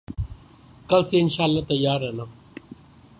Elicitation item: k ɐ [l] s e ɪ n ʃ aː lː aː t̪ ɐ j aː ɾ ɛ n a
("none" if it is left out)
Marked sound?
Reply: l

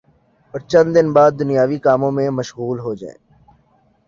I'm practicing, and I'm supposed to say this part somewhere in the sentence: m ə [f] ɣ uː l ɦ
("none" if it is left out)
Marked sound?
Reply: ʃ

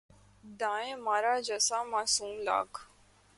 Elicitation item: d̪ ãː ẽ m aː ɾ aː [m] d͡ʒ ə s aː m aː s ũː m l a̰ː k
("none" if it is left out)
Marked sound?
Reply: none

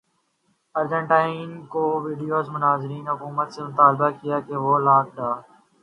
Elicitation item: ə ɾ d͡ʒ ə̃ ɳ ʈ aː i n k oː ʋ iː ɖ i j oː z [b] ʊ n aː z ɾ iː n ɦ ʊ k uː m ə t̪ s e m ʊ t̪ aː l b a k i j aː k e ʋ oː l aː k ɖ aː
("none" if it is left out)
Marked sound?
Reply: m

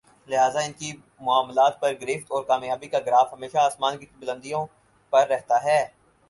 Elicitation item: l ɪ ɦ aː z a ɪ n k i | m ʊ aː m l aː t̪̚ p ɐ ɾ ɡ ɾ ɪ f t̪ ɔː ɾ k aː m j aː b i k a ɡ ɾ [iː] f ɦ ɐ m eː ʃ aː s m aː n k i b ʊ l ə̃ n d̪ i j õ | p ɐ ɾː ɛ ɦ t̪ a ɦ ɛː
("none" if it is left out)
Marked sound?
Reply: aː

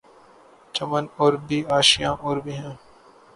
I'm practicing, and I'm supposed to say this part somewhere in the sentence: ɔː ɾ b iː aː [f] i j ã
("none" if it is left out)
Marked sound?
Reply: ʃ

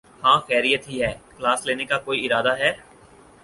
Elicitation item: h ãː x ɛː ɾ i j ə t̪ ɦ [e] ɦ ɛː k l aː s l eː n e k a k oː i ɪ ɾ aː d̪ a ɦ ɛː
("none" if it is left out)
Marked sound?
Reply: i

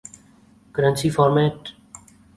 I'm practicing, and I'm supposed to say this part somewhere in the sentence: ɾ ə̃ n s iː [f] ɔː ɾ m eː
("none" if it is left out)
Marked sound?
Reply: f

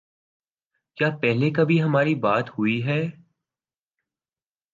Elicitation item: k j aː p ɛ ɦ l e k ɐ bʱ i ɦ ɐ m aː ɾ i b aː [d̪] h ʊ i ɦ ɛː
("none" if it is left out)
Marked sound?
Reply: t̪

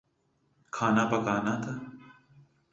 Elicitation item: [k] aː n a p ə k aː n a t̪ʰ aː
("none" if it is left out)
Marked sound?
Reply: kʰ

